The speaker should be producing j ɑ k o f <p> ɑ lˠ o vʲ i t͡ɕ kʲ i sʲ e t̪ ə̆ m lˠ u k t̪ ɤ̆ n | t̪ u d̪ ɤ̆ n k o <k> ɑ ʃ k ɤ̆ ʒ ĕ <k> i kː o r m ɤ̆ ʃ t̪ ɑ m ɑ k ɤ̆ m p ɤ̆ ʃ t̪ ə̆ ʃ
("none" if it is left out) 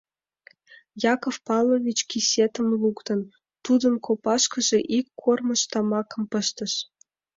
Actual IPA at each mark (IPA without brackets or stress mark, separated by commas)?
p, p, ʔ